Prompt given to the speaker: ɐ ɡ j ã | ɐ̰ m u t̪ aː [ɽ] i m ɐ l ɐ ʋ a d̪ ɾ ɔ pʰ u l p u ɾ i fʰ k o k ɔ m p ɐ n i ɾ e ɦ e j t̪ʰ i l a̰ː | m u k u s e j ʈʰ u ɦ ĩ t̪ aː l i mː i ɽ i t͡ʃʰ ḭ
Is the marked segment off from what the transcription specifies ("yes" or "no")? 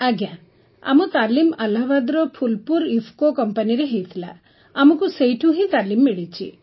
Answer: yes